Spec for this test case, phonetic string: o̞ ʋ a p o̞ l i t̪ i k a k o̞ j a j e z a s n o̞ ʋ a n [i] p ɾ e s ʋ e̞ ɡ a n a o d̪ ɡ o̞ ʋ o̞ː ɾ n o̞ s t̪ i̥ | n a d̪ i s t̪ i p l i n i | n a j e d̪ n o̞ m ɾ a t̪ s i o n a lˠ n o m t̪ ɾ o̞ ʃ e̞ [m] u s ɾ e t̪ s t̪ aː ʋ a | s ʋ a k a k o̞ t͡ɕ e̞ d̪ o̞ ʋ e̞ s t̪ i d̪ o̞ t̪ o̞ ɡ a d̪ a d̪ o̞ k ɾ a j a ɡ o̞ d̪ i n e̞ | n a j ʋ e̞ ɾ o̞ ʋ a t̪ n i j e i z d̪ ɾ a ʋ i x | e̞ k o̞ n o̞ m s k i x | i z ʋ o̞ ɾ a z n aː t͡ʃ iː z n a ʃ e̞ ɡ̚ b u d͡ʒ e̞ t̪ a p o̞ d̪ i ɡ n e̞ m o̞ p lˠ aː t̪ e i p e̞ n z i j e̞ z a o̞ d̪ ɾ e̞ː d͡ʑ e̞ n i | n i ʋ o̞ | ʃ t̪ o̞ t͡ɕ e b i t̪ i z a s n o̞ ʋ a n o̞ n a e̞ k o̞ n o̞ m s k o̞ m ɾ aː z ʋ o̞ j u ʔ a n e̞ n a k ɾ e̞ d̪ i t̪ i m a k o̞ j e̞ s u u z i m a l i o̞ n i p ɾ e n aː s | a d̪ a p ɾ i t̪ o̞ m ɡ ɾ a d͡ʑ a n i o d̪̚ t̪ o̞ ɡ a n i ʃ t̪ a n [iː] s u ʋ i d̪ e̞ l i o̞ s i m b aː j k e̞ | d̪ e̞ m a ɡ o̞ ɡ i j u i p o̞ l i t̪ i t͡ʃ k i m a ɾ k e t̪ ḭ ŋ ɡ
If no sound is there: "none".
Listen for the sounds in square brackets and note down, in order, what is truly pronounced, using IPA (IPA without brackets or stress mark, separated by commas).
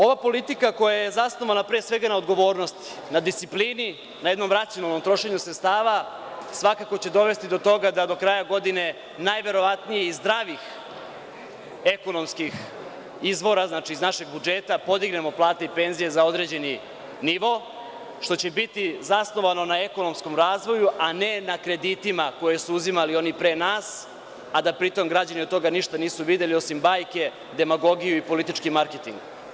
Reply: a, ɲ, iː